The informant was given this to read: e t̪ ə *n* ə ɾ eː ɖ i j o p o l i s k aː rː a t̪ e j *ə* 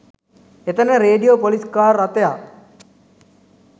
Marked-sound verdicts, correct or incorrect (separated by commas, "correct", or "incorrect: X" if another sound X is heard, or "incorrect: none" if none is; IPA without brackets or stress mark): correct, incorrect: a